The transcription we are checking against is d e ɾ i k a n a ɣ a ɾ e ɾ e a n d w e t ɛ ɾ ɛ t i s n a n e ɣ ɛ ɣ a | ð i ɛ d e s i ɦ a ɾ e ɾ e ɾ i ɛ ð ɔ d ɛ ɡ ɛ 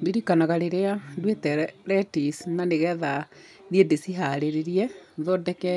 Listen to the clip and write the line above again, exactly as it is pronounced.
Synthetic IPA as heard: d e ɾ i k a n a ɣ a ɾ e ɾ e a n d w e t ɛ ɾ ɛ t i s n a n e ɣ ɛ ð a | ð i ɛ d e s i ɦ a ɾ e ɾ e ɾ i ɛ ð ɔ d ɛ k ɛ